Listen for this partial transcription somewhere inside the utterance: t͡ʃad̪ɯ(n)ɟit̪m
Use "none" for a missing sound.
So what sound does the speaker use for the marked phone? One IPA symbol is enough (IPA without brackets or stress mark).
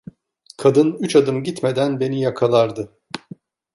m